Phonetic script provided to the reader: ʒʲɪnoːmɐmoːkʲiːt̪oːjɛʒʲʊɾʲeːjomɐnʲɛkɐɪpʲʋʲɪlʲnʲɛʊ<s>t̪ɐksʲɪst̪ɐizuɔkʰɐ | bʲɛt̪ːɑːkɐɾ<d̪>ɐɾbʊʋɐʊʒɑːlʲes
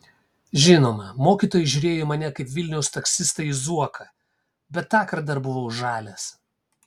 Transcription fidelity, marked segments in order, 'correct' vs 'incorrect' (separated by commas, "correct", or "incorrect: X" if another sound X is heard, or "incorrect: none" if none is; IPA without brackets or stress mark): correct, correct